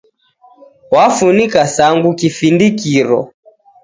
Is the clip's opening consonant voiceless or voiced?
voiced